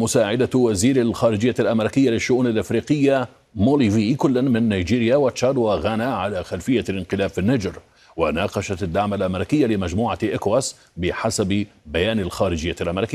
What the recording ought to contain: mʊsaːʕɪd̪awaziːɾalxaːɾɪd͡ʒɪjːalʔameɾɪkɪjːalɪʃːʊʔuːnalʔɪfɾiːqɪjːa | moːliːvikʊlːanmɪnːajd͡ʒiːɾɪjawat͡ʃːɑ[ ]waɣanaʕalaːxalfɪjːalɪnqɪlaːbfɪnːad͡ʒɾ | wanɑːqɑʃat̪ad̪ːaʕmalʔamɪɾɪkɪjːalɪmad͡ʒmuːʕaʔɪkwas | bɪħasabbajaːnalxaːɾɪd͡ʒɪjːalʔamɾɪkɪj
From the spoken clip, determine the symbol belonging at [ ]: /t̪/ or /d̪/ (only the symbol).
d̪